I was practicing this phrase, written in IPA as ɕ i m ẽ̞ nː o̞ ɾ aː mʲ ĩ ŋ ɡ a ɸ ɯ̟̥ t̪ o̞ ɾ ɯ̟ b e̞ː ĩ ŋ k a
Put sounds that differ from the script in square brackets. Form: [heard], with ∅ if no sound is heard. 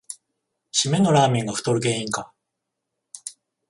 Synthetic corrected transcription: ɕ i m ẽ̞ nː o̞ ɾ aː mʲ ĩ ŋ ɡ a ɸ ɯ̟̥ t̪ o̞ ɾ ɯ̟ [ɡ] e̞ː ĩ ŋ k a